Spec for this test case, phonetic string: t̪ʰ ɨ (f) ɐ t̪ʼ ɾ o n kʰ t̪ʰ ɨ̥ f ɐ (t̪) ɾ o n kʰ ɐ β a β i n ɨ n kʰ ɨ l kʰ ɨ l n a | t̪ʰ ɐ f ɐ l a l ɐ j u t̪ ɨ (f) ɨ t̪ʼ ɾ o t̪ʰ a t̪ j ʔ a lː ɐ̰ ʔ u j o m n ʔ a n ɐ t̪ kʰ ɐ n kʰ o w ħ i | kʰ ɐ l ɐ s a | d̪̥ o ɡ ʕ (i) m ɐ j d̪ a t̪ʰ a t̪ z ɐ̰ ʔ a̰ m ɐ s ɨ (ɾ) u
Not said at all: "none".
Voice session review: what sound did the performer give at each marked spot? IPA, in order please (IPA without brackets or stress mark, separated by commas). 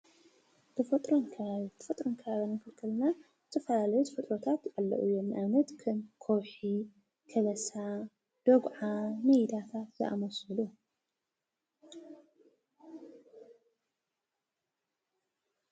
f, t̪ʼ, f, a, l